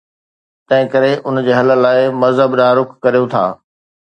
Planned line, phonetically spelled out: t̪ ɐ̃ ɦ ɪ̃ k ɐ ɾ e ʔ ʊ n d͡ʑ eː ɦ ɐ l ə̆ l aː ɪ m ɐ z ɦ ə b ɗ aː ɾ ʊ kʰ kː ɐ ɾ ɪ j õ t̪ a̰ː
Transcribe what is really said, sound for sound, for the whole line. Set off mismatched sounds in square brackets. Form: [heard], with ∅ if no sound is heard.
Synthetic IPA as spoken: t̪ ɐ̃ ɦ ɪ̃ k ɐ ɾ e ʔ ʊ n d͡ʑ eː ɦ ɐ l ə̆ l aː ɪ m ɐ z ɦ ə b ɗ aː ɾ ʊ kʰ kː ɐ ɾ [i] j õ [t̪ʰ] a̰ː